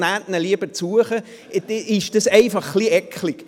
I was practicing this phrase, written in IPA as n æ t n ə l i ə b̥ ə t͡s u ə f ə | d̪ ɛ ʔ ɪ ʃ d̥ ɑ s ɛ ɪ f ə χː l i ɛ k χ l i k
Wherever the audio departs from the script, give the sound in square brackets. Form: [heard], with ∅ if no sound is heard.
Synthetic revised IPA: n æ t n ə l i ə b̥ ə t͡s u ə [χ] ə | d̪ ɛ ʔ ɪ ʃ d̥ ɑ s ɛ ɪ f [ɑ] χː l i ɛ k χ l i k